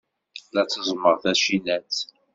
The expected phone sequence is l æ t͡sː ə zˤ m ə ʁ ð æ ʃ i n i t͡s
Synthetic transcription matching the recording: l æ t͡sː ə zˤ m ə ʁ θ æ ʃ i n æ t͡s